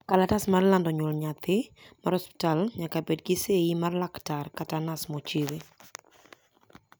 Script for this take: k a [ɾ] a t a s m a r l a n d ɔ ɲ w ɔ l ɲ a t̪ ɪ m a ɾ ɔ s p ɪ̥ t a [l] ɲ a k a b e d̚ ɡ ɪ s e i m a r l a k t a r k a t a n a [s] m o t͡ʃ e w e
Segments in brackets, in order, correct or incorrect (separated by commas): incorrect, correct, correct